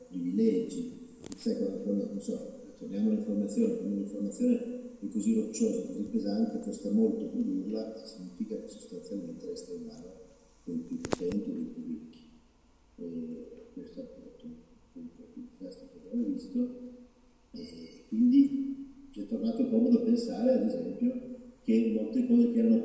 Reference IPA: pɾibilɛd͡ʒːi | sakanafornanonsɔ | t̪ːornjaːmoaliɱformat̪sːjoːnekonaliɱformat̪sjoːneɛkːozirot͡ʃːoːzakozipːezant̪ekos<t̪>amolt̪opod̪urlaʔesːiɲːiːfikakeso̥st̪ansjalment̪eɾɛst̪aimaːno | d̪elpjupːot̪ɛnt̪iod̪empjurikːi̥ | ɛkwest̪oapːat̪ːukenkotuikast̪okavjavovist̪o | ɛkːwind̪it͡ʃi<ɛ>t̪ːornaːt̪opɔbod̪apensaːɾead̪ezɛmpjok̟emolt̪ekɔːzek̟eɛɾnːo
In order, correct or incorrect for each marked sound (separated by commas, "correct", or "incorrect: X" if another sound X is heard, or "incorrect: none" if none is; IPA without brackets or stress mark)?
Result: correct, correct